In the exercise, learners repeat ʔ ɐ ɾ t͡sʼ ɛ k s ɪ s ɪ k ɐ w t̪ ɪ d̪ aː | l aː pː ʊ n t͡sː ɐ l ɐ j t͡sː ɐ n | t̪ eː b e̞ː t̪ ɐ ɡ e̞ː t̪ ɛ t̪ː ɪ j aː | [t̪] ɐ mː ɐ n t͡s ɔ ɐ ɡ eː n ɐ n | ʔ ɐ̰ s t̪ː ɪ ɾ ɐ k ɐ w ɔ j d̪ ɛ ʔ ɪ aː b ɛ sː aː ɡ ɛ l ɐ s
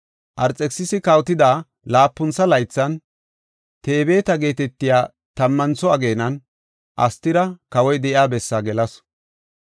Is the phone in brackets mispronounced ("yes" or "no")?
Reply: no